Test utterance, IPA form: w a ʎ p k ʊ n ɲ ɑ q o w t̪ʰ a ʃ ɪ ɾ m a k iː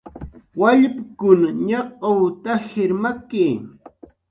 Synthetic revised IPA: w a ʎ p k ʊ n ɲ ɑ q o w t̪ a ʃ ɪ ɾ m a k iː